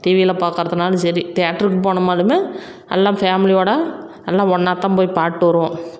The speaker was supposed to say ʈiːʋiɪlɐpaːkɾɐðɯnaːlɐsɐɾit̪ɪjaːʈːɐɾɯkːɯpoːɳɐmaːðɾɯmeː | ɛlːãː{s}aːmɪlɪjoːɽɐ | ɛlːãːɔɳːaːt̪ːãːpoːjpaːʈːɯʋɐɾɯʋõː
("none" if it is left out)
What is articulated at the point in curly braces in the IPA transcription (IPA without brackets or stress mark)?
f